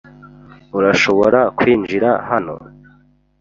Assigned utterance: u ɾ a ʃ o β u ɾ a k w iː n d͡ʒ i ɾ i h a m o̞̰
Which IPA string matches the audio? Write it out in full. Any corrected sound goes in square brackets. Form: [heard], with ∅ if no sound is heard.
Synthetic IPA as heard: u ɾ a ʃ o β [o] ɾ a k w iː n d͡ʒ i ɾ [a] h a [n] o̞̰